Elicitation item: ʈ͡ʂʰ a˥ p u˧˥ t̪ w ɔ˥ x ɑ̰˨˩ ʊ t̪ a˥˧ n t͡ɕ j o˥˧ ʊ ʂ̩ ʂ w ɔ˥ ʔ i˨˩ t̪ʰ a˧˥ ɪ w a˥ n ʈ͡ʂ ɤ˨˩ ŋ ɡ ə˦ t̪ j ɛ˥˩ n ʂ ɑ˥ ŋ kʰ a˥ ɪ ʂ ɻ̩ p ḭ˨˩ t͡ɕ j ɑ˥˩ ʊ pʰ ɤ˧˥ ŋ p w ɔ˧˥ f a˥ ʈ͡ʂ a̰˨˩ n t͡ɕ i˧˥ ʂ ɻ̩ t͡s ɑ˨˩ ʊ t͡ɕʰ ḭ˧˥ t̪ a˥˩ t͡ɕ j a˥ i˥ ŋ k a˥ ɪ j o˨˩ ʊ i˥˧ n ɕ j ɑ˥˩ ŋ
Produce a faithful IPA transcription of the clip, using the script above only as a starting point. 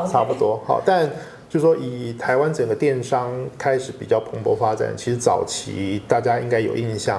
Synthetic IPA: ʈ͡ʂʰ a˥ p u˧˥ t̪ w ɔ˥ x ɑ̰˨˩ ʊ t̪ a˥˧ n t͡ɕ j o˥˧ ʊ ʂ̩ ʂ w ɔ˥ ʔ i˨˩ t̪ʰ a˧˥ ɪ w a˥ n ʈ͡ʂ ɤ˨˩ ŋ ɡ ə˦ t̪ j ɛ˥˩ n ʂ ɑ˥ ŋ kʰ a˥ ɪ ʂ ɻ̩ p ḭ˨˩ t͡ɕ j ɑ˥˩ ʊ pʰ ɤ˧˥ ŋ p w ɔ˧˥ f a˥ ʈ͡ʂ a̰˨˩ n t͡ɕʰ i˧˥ ʂ ɻ̩ t͡s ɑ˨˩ ʊ t͡ɕʰ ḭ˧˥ t̪ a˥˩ t͡ɕ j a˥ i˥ ŋ k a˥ ɪ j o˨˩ ʊ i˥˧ n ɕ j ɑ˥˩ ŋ